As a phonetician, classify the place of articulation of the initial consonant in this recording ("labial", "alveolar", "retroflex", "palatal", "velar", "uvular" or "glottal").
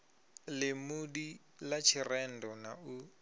alveolar